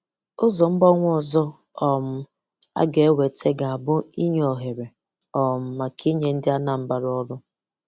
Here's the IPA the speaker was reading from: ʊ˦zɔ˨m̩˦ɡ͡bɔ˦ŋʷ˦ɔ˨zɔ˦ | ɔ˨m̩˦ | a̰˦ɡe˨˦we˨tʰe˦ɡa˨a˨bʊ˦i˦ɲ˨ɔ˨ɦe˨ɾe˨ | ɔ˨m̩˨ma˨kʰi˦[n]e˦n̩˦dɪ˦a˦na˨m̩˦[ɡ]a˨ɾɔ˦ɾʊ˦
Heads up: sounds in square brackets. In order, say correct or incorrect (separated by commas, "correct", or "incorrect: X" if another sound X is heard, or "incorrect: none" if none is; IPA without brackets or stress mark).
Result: incorrect: ɲ, incorrect: b